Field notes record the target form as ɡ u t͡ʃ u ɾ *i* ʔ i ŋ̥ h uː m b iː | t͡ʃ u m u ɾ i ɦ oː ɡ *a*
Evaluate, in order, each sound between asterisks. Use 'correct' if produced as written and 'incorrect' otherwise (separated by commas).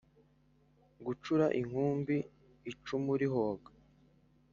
incorrect, correct